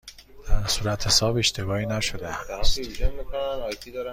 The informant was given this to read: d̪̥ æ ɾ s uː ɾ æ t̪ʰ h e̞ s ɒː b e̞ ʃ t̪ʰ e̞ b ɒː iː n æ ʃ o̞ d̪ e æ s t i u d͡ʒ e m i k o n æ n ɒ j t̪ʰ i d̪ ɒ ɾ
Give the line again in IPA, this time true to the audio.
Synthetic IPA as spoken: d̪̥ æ ɾ s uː ɾ æ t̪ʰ h e̞ s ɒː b e̞ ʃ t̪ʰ e̞ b ɒː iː n æ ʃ o̞ d̪ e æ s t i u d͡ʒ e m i k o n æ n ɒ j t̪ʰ i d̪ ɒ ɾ